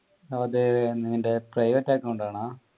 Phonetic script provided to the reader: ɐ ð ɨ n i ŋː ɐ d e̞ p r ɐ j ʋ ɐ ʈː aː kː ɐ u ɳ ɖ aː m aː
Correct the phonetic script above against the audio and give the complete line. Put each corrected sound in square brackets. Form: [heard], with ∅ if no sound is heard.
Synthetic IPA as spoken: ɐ ð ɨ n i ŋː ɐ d e̞ p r ɐ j ʋ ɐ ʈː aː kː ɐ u ɳ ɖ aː [ɳ] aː